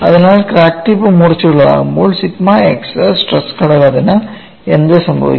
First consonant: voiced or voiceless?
voiced